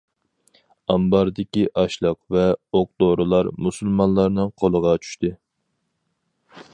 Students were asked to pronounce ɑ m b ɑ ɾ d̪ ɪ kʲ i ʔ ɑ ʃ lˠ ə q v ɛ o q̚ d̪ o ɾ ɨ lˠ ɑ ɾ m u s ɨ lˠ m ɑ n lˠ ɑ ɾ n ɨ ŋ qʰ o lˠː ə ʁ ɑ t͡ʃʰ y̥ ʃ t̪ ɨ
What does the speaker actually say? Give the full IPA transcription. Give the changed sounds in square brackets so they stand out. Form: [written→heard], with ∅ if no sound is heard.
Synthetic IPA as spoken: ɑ m b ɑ ɾ d̪ ɪ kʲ i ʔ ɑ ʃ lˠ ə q v ɛ o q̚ d̪ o ɾ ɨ lˠ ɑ ɾ m u s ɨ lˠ m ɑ n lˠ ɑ ɾ n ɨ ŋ qʰ o [lˠː→lˠ] ə ʁ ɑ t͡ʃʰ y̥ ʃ t̪ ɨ